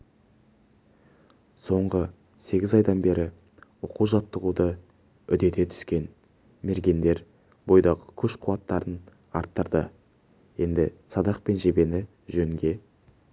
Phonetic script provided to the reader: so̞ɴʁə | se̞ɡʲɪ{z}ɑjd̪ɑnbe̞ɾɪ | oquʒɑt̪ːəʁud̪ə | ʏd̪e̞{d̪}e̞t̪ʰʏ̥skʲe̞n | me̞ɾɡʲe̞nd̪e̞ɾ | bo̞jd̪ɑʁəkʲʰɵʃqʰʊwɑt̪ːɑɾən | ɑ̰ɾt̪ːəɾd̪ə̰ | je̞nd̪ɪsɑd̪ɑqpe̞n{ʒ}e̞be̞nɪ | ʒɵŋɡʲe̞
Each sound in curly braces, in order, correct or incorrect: correct, incorrect: t̪, correct

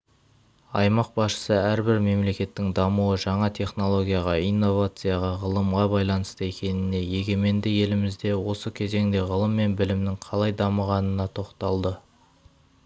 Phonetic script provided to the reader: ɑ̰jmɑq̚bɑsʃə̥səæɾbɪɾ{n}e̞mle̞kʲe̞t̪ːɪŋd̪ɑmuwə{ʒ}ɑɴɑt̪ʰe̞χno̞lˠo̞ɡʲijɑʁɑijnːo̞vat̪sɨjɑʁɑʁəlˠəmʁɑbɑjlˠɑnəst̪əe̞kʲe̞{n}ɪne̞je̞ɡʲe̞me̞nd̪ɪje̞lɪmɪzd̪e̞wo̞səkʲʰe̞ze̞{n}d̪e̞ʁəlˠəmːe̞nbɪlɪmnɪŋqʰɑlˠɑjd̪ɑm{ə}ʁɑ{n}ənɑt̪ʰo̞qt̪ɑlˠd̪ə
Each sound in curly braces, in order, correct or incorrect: incorrect: m, correct, correct, incorrect: ŋ, correct, correct

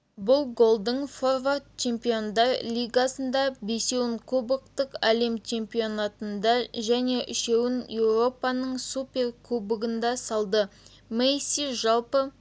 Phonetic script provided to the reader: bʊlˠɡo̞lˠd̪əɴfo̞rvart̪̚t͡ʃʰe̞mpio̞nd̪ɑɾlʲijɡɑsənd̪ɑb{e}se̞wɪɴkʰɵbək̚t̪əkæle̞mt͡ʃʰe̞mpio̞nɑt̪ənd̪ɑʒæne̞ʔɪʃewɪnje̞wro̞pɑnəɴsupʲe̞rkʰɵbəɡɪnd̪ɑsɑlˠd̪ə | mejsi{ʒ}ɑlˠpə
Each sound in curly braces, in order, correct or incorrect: correct, correct

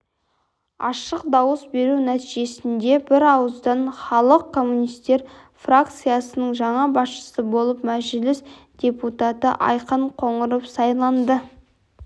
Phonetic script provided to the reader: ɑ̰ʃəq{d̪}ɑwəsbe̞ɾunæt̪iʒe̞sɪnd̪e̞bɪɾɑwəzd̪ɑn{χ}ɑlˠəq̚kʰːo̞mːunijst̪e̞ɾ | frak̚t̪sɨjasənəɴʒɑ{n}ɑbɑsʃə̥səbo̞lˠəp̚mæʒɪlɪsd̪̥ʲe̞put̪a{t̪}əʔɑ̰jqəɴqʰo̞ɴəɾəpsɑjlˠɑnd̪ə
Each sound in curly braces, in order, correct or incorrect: correct, correct, incorrect: ɴ, correct

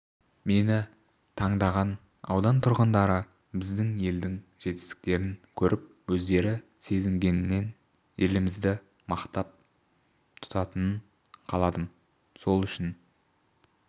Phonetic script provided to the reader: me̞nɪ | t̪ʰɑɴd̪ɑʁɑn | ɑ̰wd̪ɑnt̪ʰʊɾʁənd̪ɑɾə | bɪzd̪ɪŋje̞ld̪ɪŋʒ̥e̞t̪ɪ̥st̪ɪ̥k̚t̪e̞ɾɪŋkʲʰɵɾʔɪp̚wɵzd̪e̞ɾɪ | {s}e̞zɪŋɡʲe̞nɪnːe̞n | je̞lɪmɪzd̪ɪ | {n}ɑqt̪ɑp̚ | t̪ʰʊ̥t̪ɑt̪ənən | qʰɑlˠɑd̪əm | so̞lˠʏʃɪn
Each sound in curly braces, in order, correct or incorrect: correct, incorrect: m

